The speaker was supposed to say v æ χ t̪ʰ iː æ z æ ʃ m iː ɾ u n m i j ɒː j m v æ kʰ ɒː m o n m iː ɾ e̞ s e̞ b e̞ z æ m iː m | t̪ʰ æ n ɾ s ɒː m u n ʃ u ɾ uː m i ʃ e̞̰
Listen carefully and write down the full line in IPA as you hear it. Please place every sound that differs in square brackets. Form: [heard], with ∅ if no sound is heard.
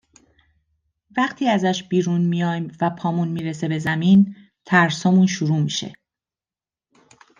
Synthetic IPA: v æ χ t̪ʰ iː æ z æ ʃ [b] iː ɾ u n m i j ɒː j m v æ [pʰ] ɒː m [u] n m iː ɾ e̞ s e̞ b e̞ z æ m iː [n] | t̪ʰ æ [∅] ɾ s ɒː m u n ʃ u ɾ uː m i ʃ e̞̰